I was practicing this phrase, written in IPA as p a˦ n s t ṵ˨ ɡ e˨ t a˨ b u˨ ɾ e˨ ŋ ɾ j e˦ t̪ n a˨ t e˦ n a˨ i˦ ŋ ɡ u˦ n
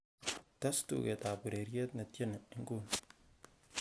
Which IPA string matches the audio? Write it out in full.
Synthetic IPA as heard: t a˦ s t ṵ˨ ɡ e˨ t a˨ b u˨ ɾ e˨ ɾ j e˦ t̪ n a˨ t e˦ n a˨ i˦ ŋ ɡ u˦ n